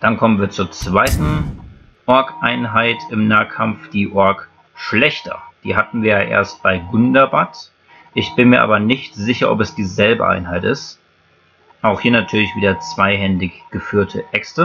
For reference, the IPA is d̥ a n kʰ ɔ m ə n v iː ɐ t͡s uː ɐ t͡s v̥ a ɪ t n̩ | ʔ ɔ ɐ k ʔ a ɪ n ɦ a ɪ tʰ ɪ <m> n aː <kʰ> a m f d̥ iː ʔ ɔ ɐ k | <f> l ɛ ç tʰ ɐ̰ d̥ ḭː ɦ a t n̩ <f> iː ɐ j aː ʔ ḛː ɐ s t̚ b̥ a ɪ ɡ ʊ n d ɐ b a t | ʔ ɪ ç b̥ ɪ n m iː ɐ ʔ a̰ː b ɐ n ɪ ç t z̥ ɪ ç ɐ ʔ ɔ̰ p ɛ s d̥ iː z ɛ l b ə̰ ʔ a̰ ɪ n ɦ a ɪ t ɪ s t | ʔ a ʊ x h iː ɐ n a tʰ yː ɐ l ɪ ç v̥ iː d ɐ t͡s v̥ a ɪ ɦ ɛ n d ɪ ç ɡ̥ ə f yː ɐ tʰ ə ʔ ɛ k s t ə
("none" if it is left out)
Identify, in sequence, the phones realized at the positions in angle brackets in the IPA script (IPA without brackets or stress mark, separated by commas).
m, kʰ, ʃ, v